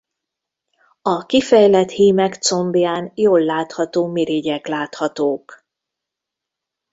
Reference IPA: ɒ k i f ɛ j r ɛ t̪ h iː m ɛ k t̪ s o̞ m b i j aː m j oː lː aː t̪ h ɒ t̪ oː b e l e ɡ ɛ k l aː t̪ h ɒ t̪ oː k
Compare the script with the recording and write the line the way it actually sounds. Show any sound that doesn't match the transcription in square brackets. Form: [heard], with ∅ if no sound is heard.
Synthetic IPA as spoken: ɒ k i f ɛ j [l] ɛ t̪ h iː m ɛ k t̪ s o̞ m b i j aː [n] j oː lː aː t̪ h ɒ t̪ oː [m] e [ɾ] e [ɟ] ɛ k l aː t̪ h ɒ t̪ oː k